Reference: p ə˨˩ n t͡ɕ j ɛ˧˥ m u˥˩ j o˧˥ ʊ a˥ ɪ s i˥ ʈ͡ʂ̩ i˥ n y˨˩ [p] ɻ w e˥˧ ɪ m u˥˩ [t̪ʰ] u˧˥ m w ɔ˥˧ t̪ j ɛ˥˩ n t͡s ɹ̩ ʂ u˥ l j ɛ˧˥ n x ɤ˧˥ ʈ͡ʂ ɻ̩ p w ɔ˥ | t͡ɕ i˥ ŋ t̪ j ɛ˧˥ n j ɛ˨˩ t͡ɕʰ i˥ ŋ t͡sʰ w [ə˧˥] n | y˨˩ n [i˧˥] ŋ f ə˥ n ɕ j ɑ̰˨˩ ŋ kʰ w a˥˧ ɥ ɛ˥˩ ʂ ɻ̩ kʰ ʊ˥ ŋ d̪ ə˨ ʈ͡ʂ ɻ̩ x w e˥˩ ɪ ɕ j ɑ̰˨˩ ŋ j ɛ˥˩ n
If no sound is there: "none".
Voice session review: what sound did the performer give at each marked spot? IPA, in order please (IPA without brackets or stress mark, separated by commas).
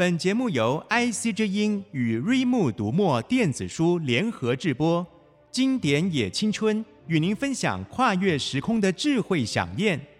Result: none, t̪, ə˥, i˧˥